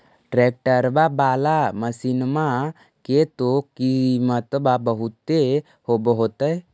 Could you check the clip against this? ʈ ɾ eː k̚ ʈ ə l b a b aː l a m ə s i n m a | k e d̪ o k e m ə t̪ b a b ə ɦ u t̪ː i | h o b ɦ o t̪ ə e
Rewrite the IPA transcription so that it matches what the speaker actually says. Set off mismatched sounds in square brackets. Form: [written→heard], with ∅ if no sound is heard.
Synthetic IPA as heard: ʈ ɾ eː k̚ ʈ ə [l→ɾ] b a b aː l a m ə s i n m a | k e [d̪→t̪] o k [e→i] m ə t̪ b a b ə ɦ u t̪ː [i→e] | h o b ɦ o t̪ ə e